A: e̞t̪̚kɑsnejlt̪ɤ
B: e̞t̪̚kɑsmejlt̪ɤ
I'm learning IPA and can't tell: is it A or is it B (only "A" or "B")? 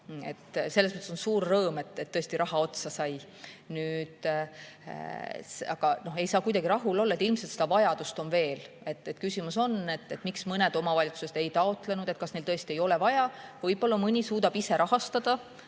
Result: A